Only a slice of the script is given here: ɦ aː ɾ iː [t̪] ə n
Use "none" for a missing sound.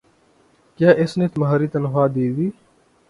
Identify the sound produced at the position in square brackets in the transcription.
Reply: t̪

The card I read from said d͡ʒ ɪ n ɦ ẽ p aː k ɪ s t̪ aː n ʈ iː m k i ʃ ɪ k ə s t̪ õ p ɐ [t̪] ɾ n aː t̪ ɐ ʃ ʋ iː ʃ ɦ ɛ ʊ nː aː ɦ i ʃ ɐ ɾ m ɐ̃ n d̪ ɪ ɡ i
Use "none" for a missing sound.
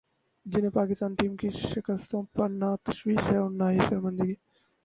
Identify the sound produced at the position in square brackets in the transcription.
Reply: none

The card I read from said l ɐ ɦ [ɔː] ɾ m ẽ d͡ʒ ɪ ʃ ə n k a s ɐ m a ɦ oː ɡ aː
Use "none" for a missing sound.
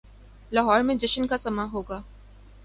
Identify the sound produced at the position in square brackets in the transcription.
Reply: ɔː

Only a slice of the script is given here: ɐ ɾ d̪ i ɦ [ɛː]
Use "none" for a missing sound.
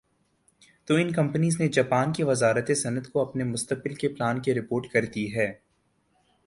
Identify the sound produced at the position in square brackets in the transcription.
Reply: ɛː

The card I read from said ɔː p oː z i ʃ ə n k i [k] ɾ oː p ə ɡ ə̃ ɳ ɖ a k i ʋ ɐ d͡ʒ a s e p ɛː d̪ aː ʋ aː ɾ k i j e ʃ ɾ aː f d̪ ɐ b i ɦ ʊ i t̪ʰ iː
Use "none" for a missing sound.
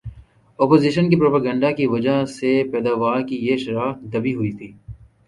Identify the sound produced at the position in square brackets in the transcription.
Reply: p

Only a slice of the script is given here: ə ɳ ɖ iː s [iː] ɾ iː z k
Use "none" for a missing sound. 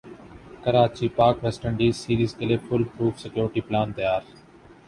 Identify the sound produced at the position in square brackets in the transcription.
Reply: iː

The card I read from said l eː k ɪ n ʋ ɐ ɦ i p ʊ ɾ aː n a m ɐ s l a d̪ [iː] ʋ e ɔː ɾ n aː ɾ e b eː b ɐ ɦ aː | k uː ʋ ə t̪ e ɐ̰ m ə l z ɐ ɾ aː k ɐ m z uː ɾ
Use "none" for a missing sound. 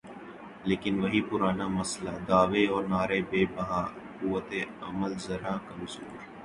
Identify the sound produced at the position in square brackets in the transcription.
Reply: aː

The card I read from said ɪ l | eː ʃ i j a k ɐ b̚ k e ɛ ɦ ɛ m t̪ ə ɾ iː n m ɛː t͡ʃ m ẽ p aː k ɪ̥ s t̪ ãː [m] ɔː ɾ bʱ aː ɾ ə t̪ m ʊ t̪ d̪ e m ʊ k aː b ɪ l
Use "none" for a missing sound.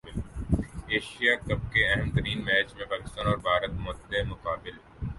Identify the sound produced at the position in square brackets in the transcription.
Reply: n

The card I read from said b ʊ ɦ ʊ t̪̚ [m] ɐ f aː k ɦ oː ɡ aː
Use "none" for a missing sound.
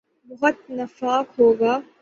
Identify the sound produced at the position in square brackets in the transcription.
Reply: n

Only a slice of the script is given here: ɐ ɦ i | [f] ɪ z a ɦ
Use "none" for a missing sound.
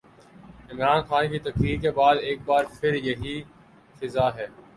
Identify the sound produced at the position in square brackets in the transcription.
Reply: f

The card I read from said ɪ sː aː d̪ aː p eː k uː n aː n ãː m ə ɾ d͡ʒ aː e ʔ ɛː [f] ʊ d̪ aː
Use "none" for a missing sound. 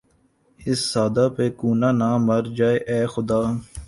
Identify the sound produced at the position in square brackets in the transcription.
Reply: x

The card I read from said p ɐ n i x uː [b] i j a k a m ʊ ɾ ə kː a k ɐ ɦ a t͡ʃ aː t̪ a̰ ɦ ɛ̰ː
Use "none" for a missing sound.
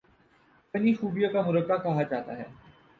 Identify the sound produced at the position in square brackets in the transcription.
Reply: b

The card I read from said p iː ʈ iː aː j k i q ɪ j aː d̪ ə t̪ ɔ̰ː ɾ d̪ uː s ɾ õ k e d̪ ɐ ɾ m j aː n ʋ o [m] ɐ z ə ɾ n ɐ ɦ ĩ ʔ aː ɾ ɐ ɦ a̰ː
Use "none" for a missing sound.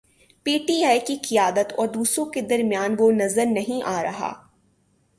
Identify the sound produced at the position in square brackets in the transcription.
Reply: n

